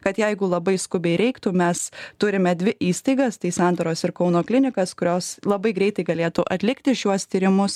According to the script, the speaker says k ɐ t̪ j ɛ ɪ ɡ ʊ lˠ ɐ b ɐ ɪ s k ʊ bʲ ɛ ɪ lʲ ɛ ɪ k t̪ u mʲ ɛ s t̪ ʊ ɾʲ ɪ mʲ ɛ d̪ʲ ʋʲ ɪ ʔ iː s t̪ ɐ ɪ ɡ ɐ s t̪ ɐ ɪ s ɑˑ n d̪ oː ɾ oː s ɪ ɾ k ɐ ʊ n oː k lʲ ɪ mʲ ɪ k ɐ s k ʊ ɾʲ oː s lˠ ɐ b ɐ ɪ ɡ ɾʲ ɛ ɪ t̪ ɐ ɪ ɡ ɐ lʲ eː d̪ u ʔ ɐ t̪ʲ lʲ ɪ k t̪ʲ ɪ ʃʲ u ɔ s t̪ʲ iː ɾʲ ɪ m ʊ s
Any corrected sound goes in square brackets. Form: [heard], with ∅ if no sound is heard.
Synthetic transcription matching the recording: k ɐ t̪ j ɛ ɪ ɡ ʊ lˠ ɐ b ɐ ɪ s k ʊ bʲ ɛ ɪ [ɾʲ] ɛ ɪ k t̪ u mʲ ɛ s t̪ ʊ ɾʲ ɪ mʲ ɛ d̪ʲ ʋʲ ɪ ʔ iː s t̪ ɐ ɪ ɡ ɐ s t̪ ɐ ɪ s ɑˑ n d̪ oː ɾ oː s ɪ ɾ k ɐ ʊ n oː k lʲ ɪ [nʲ] ɪ k ɐ s k ʊ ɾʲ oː s lˠ ɐ b ɐ ɪ ɡ ɾʲ ɛ ɪ t̪ ɐ ɪ ɡ ɐ lʲ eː [t̪] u ʔ ɐ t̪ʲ lʲ ɪ k t̪ʲ ɪ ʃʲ u ɔ s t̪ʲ iː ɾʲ ɪ m ʊ s